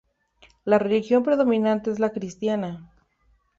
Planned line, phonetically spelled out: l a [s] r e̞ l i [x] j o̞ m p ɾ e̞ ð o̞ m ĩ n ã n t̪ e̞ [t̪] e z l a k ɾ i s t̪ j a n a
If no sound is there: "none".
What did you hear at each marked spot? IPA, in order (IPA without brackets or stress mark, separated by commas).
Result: none, x, none